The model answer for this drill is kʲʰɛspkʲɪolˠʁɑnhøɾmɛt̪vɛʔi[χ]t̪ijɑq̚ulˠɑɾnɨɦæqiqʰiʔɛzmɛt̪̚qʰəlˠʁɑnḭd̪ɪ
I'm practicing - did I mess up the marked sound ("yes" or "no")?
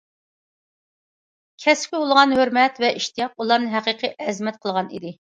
yes